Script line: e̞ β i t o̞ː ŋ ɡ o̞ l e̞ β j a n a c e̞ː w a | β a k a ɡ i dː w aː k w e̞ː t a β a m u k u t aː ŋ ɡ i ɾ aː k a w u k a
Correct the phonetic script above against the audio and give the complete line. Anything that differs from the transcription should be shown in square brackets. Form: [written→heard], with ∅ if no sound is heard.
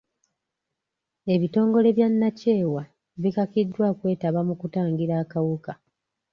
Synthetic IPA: e̞ β i t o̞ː ŋ ɡ o̞ l e̞ β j a [n→nː] a c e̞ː w a | β [a→i] k a [ɡ→k] i dː w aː k w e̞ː t a β a m u k u t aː ŋ ɡ i ɾ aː k a w u k a